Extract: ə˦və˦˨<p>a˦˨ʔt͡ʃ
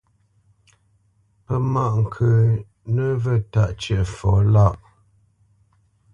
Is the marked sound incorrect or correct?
incorrect